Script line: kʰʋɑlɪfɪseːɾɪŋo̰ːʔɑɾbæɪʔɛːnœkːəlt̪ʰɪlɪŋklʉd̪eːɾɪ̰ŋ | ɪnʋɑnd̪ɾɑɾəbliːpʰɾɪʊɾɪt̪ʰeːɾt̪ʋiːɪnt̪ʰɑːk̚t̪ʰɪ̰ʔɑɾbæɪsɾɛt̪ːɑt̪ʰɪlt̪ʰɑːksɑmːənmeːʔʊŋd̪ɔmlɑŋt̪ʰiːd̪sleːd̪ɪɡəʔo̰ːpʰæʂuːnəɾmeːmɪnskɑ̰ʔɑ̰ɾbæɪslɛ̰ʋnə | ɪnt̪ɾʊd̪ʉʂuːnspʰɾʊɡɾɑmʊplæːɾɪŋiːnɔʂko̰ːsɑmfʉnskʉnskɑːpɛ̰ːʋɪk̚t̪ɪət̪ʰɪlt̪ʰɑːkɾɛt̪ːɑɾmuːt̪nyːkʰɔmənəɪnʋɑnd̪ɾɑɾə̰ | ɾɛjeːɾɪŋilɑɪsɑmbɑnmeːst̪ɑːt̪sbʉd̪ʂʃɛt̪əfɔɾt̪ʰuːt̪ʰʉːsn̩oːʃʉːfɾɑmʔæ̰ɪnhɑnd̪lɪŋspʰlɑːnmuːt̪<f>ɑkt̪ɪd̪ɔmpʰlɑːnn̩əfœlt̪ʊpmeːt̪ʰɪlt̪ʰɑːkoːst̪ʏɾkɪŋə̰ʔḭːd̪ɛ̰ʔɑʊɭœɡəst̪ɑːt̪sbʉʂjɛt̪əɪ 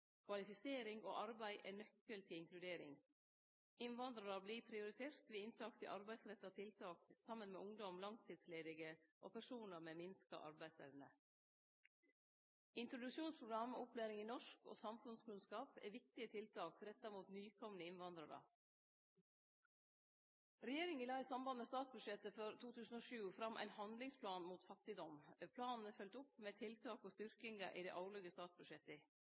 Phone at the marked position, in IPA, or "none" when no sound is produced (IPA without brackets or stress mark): f